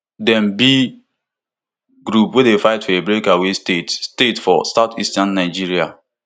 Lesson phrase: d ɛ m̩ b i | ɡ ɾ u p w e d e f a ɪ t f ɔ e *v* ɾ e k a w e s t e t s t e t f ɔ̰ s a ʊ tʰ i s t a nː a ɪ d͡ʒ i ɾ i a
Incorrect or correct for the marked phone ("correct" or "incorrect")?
incorrect